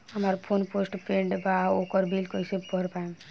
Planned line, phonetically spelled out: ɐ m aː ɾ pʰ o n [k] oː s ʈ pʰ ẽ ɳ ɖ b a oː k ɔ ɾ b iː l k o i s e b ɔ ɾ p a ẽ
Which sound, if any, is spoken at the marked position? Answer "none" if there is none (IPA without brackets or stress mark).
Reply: p